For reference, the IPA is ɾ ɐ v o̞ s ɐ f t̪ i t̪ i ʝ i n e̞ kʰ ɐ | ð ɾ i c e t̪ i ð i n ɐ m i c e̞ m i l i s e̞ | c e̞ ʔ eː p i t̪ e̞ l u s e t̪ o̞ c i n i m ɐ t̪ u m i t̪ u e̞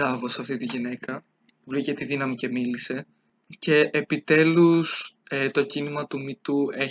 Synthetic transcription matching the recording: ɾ ɐ v o̞ s ɐ f t̪ i t̪ i ʝ i n e̞ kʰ ɐ | v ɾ i c e t̪ i ð i n ɐ m i c e̞ m i l i s e̞ | c e̞ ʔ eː p i t̪ e̞ l u s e t̪ o̞ c i n i m ɐ t̪ u m i t̪ u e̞